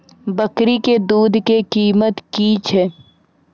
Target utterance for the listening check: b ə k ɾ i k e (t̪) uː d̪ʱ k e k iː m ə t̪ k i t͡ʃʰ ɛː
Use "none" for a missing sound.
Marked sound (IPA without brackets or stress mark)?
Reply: d̪